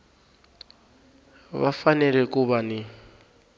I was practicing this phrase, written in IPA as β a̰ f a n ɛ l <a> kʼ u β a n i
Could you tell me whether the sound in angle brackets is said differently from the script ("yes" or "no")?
yes